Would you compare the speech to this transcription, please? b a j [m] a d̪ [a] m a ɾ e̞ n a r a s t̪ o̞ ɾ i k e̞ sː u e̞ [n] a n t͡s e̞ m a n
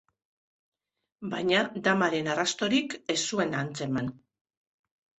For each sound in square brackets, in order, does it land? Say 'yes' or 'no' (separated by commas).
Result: no, yes, yes